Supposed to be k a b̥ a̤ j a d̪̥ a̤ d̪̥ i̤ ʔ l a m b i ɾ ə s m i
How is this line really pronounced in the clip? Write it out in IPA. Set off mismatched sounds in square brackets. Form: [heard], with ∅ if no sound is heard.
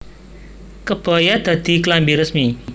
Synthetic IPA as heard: k [ə] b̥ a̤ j a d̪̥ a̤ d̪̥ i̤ [k] l a m b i ɾ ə s m i